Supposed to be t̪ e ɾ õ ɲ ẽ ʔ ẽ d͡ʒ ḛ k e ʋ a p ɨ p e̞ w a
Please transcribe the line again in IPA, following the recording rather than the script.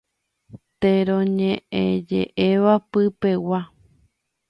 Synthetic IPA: t̪ e ɾ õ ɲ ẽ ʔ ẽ d͡ʒ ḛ ʔ e ʋ a p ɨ p e̞ w a